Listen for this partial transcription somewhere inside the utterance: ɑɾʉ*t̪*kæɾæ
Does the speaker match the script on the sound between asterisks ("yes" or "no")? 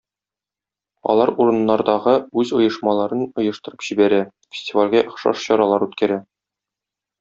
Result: yes